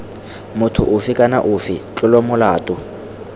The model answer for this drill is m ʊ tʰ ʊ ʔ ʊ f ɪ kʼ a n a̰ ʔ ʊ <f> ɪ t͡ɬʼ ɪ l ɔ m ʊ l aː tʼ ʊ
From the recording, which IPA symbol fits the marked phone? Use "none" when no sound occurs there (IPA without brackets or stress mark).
f